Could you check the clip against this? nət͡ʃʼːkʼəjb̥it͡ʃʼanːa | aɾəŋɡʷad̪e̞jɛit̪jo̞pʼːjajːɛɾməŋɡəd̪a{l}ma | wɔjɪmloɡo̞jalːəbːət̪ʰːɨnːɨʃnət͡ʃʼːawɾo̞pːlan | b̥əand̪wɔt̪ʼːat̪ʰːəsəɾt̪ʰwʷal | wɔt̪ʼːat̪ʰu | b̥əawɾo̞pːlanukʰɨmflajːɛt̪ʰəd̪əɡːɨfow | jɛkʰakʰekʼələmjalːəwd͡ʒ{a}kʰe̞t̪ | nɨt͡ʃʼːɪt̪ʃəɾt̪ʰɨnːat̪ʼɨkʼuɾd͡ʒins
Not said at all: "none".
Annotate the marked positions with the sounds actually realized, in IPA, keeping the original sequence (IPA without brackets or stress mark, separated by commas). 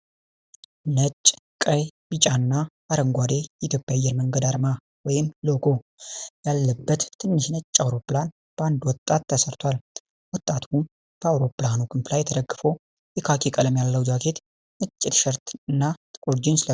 ɾ, a